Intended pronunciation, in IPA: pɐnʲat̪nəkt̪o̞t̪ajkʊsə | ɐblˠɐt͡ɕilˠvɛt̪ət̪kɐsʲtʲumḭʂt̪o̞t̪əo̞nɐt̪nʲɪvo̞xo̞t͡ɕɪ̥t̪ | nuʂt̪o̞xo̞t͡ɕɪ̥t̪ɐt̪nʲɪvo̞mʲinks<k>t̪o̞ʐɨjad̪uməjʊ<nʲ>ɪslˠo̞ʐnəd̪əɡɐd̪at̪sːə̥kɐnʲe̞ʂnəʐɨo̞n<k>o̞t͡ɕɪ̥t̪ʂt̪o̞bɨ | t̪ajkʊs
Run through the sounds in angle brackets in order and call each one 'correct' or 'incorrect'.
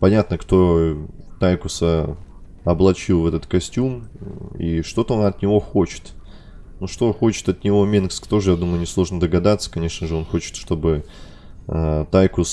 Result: correct, correct, incorrect

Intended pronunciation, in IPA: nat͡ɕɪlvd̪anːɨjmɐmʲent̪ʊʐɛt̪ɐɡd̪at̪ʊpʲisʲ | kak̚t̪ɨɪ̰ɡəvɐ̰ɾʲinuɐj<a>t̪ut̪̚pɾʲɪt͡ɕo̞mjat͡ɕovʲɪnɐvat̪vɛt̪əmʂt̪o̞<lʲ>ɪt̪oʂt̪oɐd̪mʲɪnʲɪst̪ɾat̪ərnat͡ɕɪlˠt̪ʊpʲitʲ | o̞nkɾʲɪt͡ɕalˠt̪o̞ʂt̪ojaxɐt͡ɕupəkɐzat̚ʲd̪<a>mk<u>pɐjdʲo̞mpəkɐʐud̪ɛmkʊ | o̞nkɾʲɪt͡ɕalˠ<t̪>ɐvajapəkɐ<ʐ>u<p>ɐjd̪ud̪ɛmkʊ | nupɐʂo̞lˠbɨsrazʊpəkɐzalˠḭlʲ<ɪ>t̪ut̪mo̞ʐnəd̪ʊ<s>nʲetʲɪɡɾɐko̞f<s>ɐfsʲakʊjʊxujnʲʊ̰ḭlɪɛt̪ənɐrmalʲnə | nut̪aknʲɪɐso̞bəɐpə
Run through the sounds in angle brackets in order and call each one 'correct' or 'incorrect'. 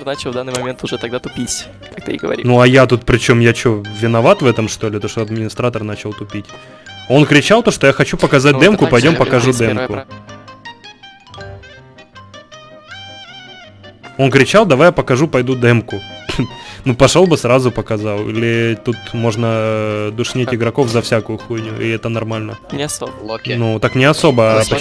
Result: correct, correct, incorrect, incorrect, incorrect, correct, correct, correct, incorrect, incorrect

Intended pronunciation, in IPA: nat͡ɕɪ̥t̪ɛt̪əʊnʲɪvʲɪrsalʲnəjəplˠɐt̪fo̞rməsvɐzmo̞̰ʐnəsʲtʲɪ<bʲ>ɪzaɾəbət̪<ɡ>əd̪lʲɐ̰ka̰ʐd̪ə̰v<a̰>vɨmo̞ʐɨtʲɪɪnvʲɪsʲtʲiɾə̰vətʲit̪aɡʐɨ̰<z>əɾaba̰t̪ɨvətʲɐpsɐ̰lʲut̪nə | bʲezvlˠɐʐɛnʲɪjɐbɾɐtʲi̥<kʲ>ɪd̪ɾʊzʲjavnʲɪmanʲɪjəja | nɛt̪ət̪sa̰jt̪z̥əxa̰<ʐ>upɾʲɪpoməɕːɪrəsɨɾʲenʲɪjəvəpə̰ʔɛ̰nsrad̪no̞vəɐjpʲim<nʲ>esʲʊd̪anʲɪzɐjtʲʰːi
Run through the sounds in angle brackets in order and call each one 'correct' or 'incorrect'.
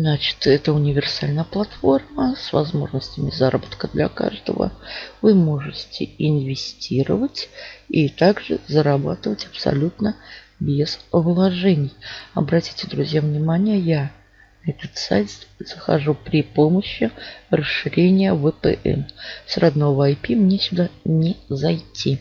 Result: incorrect, incorrect, incorrect, correct, incorrect, correct, correct

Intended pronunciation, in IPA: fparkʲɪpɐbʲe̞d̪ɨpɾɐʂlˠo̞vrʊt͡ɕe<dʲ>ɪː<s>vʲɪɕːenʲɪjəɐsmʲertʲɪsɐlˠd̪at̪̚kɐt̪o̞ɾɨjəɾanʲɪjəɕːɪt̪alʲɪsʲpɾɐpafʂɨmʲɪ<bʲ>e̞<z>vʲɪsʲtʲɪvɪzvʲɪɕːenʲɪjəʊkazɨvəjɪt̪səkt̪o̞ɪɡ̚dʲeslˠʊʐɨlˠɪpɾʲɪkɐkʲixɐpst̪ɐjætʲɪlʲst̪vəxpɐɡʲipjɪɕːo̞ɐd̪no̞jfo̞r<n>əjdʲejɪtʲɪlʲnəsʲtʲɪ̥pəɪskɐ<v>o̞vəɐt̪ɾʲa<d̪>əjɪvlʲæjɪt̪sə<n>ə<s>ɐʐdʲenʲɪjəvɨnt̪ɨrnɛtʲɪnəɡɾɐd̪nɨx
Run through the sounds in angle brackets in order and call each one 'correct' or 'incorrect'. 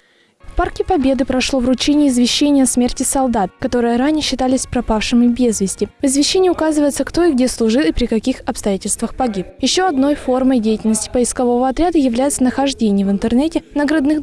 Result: incorrect, incorrect, correct, correct, incorrect, correct, correct, correct, incorrect

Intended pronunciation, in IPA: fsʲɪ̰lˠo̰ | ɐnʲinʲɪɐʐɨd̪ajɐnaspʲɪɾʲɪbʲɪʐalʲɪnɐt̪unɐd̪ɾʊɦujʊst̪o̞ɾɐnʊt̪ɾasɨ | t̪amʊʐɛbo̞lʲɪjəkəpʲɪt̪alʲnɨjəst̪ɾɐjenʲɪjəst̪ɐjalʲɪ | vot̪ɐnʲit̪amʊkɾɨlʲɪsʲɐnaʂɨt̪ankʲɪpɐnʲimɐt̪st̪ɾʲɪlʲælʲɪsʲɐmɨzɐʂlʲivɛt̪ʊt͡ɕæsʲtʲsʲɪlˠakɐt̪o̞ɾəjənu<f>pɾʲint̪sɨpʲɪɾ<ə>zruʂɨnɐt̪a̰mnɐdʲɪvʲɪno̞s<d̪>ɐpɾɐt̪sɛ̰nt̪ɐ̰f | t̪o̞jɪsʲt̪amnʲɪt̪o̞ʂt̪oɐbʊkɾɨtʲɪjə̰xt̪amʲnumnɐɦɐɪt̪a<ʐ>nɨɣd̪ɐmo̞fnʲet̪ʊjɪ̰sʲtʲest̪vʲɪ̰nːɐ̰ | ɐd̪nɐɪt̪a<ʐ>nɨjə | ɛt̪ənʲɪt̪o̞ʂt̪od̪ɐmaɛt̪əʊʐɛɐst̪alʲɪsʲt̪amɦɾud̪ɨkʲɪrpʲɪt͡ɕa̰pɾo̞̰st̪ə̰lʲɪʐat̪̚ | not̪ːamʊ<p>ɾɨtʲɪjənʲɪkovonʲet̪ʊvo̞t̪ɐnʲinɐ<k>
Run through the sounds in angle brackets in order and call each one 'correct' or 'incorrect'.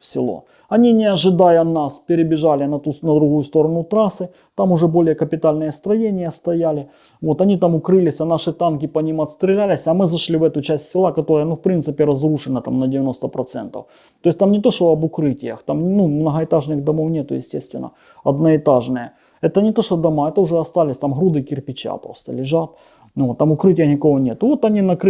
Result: correct, incorrect, incorrect, correct, correct, incorrect, correct

